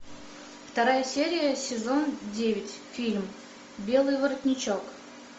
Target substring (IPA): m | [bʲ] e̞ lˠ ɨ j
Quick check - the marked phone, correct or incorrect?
correct